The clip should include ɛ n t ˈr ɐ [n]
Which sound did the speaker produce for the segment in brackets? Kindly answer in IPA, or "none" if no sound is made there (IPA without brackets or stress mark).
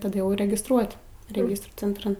n